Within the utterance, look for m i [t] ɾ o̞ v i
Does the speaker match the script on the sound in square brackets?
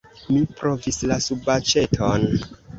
no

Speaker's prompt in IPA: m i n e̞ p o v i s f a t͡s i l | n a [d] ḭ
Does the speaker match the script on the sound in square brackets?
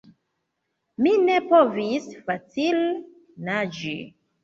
no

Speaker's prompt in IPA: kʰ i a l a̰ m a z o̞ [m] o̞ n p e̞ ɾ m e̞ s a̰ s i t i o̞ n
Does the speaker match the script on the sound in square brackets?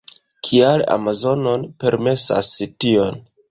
no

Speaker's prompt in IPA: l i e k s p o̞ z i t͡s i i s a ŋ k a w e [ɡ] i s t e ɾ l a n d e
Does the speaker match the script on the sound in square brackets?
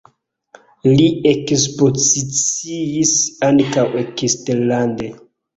no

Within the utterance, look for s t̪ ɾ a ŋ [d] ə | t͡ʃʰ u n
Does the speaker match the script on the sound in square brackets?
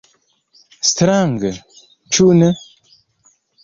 no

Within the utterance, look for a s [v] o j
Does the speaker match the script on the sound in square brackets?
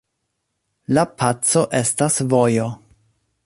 yes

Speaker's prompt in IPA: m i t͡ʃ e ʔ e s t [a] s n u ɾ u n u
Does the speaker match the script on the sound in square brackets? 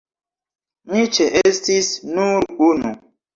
no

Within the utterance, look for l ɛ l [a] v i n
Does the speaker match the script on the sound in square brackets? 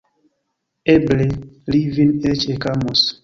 no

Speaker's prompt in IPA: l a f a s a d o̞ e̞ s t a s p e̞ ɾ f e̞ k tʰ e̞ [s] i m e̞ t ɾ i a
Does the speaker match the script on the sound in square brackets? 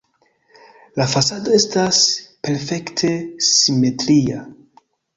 yes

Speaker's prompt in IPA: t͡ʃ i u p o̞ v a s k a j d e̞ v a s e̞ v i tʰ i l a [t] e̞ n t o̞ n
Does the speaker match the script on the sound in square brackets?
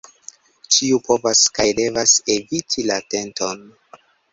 yes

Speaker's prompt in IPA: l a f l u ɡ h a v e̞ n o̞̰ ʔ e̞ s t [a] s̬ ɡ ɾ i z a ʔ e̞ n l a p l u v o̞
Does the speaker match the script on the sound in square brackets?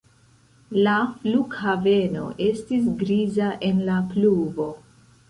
no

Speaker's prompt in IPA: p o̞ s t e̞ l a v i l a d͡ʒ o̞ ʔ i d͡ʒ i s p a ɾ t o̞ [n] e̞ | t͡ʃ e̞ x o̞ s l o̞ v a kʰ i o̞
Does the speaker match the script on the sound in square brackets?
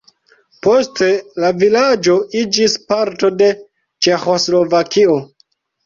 no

